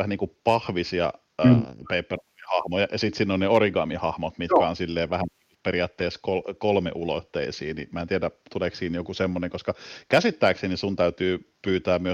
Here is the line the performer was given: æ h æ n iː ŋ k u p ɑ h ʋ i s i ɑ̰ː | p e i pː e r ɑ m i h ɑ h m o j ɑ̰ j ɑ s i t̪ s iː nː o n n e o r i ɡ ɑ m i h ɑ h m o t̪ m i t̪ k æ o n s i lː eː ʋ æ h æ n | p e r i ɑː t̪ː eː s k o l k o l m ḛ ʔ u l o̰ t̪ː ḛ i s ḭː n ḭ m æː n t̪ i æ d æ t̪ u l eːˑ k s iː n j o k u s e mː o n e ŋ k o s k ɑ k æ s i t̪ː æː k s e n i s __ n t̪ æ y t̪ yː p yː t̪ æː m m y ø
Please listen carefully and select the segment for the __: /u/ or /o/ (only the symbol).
u